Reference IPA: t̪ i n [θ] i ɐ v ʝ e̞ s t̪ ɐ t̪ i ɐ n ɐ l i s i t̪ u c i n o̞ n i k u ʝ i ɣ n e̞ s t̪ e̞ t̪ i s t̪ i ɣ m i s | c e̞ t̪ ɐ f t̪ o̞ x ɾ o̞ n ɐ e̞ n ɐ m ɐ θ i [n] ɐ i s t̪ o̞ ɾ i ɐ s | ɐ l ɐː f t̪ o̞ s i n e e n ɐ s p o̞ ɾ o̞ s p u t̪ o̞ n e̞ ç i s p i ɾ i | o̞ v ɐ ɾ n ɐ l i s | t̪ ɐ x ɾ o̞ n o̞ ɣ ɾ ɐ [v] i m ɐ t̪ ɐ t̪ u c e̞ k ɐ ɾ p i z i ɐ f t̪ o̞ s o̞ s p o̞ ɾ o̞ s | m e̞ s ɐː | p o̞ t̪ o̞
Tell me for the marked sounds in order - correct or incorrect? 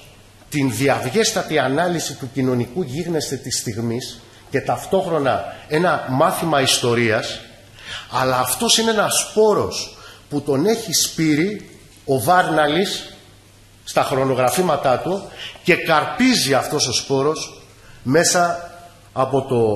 incorrect, incorrect, incorrect

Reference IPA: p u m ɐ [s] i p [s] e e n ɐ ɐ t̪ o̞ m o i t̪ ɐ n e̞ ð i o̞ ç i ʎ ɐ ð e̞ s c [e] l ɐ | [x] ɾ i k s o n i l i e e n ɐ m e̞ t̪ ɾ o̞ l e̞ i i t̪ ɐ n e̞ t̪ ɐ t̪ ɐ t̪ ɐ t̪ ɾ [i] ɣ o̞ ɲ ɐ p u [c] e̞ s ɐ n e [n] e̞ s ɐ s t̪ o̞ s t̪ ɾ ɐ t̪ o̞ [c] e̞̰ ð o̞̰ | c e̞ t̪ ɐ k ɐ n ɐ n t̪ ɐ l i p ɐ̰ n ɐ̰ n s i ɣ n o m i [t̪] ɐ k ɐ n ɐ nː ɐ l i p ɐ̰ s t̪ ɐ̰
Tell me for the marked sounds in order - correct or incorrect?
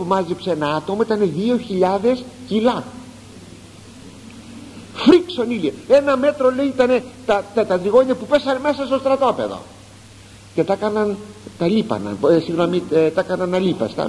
incorrect, correct, incorrect, incorrect, correct, incorrect, incorrect, incorrect, correct

